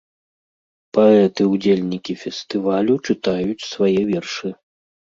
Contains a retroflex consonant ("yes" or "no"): yes